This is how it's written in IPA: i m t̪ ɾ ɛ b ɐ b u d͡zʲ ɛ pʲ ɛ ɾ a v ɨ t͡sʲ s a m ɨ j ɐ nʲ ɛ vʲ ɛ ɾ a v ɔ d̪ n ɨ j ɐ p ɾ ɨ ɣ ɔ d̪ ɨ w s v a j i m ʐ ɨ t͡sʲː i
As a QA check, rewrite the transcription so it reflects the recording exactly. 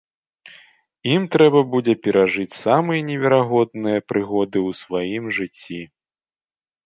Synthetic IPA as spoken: i m t̪ ɾ ɛ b ɐ b u d͡zʲ ɛ pʲ ɛ ɾ a ʐ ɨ t͡sʲ s a m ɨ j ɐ nʲ ɛ vʲ ɛ ɾ a ɣ ɔ d̪ n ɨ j ɐ p ɾ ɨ ɣ ɔ d̪ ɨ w s v a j i m ʐ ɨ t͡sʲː i

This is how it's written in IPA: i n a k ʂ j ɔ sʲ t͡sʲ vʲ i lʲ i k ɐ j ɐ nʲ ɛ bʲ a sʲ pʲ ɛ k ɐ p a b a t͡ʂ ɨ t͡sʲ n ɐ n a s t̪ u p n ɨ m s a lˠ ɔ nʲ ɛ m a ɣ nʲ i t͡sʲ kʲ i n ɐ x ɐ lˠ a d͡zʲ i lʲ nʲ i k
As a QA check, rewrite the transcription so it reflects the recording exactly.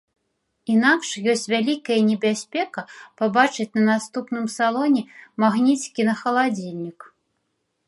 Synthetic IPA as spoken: i n a k ʂ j ɔ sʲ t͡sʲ vʲ a lʲ i k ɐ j ɐ nʲ ɛ bʲ a sʲ pʲ ɛ k ɐ p a b a t͡ʂ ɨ t͡sʲ n ɐ n a s t̪ u p n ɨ m s a lˠ ɔ nʲ ɛ m a ɣ nʲ i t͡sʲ kʲ i n ɐ x ɐ lˠ a d͡zʲ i lʲ nʲ i k

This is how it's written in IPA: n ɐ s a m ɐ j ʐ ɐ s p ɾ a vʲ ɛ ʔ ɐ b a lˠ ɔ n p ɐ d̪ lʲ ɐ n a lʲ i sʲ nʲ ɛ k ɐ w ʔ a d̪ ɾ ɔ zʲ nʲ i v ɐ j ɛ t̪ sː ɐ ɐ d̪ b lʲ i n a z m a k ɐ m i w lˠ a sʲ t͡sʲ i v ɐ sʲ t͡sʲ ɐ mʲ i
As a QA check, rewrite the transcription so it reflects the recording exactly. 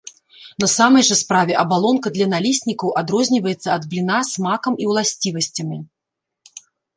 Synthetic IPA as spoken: n ɐ s a m ɐ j ʐ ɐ s p ɾ a vʲ ɛ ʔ ɐ b a lˠ ɔ n k ɐ d̪ lʲ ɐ n a lʲ i sʲ nʲ i k ɐ w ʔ a d̪ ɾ ɔ zʲ nʲ i v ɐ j ɛ t̪ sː ɐ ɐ d̪ b lʲ i n a s m a k ɐ m i w lˠ a sʲ t͡sʲ i v ɐ sʲ t͡sʲ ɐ mʲ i

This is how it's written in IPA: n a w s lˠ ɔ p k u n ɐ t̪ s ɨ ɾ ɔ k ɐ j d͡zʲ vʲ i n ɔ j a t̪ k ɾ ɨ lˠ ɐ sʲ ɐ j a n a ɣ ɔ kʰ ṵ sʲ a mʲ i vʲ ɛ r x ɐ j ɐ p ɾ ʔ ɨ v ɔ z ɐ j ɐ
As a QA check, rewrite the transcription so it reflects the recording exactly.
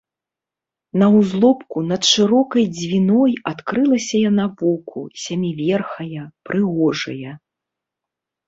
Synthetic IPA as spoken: n ɐ w z lˠ ɔ p k u n ɐ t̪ ʂ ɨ ɾ ɔ k ɐ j d͡zʲ vʲ i n ɔ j a t̪ k ɾ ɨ lˠ ɐ sʲ ɐ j a n a v ɔ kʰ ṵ sʲ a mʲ i vʲ ɛ r x ɐ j ɐ p ɾ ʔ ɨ ɣ ɔ ʐ ɐ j ɐ

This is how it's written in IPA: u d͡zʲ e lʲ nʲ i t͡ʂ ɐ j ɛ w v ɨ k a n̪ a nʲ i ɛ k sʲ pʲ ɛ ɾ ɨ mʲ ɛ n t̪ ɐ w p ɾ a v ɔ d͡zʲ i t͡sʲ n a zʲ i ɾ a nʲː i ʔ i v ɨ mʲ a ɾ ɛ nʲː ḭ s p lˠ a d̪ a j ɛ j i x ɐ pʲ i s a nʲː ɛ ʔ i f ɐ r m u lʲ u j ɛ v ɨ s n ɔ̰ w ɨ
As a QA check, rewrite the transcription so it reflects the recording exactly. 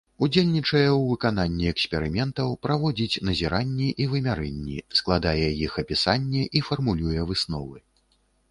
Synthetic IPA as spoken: u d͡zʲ e lʲ nʲ i t͡ʂ ɐ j ɛ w v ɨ k a n̪ a nʲː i ɛ k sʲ pʲ ɛ ɾ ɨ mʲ ɛ n t̪ ɐ w p ɾ a v ɔ d͡zʲ i t͡sʲ n ɐ zʲ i ɾ a nʲː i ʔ i v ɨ mʲ a ɾ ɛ nʲː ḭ s k lˠ a d̪ a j ɛ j i x ɐ pʲ i s a nʲː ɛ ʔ i f ɐ r m u lʲ u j ɛ v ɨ s n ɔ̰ v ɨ

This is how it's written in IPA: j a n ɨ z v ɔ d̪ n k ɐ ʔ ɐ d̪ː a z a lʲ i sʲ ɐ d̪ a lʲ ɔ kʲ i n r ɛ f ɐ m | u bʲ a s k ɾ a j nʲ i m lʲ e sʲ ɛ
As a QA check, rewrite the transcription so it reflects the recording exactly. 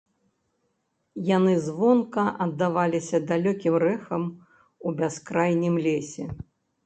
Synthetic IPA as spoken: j a n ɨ z v ɔ n k ɐ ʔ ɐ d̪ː a v a lʲ i sʲ ɐ d̪ a lʲ ɔ kʲ i m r ɛ x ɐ m | u bʲ a s k ɾ a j nʲ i m lʲ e sʲ ɛ

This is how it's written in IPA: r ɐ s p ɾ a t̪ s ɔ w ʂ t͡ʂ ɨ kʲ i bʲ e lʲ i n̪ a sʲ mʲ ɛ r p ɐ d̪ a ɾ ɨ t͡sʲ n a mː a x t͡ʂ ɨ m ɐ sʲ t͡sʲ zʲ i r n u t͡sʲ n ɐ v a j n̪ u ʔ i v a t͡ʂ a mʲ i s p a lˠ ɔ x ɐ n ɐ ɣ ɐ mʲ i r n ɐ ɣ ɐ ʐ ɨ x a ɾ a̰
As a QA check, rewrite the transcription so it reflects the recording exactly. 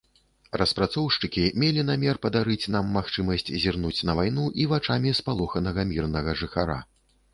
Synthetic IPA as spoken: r ɐ s p ɾ a t̪ s ɔ w ʂ t͡ʂ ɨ kʲ i mʲ e lʲ i n̪ a mʲ ɛ r p ɐ d̪ a ɾ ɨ t͡sʲ n a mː a x t͡ʂ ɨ m ɐ sʲ t͡sʲ zʲ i r n u t͡sʲ n ɐ v a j n̪ u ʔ i v a t͡ʂ a mʲ i s p a lˠ ɔ x ɐ n ɐ ɣ ɐ mʲ i r n ɐ ɣ ɐ ʐ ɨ x a ɾ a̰

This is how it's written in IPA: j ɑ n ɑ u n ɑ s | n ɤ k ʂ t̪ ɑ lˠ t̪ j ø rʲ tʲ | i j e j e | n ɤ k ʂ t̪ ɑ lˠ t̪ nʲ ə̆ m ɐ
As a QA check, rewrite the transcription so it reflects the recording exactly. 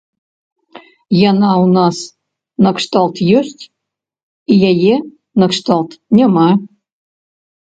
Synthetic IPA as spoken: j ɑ n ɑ u n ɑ s | n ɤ k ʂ t̪ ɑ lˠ t̪ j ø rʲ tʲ | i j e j e | n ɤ k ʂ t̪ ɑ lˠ t̪ nʲ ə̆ m ɑ

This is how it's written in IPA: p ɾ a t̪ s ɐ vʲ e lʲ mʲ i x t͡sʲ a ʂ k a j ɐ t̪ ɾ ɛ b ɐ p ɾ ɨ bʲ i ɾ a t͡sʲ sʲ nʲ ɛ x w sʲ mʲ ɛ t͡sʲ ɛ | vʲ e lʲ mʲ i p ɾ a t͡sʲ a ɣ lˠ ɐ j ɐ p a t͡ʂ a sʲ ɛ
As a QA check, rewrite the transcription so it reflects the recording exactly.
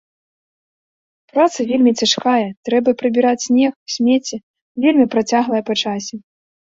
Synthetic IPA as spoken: p ɾ a t̪ s ɐ vʲ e lʲ mʲ i t͡sʲ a ʂ k a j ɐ t̪ ɾ ɛ b ɐ p ɾ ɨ bʲ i ɾ a t͡sʲ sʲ nʲ ɛ x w sʲ mʲ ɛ t͡sʲ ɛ | vʲ e lʲ mʲ i p ɾ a t͡sʲ a ɣ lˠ ɐ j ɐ p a t͡ʂ a sʲ ɛ

